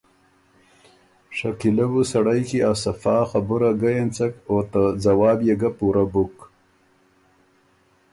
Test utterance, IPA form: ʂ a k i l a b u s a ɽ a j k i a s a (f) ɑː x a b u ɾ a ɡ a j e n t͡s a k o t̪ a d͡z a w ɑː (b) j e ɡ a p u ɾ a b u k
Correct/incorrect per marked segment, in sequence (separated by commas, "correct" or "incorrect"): correct, correct